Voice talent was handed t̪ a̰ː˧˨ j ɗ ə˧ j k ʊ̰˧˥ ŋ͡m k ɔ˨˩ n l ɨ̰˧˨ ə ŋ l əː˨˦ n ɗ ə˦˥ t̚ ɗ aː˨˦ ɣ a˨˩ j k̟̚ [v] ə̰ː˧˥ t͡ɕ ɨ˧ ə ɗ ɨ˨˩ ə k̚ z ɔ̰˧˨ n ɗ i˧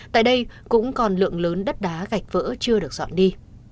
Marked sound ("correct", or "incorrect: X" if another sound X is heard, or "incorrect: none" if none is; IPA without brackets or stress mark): correct